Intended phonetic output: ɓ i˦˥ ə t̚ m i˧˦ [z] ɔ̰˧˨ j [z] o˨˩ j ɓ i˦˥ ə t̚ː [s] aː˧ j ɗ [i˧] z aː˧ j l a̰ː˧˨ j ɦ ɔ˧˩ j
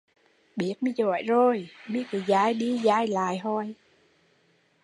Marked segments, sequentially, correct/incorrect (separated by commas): correct, correct, incorrect, correct